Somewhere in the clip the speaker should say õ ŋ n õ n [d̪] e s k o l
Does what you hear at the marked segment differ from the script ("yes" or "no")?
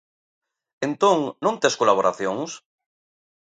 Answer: yes